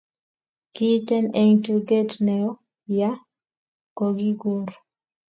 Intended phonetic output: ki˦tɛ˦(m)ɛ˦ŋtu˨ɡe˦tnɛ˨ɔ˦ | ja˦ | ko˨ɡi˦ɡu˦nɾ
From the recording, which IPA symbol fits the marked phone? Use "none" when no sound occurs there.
n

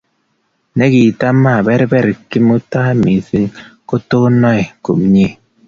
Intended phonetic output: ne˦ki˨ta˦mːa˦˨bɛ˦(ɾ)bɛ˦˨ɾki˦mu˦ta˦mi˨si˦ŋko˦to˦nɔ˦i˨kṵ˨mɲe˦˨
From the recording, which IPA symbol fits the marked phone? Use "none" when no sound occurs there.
ɾ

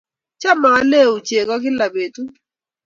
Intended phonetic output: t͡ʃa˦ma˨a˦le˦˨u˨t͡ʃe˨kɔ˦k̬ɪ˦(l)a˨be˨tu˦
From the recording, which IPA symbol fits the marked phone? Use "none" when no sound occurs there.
l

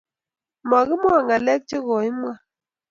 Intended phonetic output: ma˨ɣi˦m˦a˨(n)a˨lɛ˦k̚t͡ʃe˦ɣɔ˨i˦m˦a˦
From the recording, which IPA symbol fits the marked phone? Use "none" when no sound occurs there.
ŋ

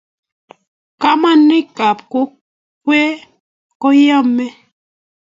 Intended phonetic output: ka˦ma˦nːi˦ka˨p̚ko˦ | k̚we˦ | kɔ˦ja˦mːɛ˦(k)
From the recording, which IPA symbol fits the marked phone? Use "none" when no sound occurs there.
none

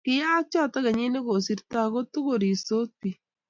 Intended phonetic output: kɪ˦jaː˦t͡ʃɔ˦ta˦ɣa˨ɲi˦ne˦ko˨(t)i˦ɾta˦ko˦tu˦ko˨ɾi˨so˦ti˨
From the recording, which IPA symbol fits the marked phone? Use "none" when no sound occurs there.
s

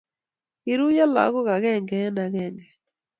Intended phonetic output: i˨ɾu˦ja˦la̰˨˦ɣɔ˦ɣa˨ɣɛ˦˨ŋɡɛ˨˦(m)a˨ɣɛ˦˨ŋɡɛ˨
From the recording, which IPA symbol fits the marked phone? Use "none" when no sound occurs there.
n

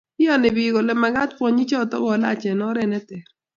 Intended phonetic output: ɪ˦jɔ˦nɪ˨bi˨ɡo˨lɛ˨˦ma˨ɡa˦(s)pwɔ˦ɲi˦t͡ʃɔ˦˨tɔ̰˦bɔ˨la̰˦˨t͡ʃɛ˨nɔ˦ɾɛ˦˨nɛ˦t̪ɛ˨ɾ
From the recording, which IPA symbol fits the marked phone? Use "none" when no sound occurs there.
t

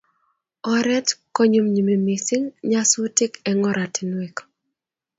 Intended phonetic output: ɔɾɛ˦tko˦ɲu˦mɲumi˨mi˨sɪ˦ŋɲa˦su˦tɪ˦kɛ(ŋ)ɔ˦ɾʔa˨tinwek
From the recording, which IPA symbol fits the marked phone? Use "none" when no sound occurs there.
ŋ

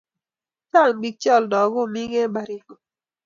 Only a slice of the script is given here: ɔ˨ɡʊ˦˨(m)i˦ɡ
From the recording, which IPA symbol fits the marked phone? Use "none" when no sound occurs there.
m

